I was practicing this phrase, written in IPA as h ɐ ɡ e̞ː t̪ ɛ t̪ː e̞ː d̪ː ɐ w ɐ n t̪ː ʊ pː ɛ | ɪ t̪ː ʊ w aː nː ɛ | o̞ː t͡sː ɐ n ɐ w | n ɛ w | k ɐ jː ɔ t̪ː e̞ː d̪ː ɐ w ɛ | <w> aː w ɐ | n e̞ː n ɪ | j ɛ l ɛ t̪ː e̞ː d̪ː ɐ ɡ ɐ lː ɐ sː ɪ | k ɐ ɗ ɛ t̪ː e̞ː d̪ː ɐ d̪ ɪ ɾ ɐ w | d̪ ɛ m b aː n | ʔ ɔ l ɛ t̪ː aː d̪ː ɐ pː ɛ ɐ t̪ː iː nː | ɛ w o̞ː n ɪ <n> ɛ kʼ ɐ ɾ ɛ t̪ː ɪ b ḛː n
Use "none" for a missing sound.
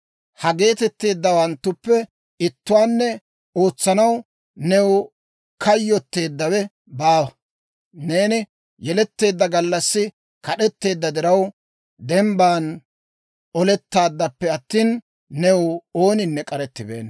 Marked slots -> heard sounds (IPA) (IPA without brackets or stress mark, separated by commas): b, nː